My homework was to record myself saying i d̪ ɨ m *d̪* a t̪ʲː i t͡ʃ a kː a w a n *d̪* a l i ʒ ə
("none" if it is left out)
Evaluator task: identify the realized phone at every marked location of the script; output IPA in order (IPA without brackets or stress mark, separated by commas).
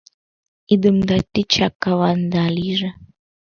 d̪, d̪